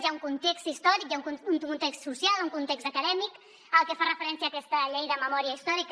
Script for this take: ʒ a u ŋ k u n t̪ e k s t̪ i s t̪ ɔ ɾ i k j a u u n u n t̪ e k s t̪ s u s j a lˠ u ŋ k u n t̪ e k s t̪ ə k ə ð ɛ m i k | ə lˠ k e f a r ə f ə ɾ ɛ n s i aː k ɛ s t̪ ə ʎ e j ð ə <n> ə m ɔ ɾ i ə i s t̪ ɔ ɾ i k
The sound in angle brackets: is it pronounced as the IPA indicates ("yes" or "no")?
no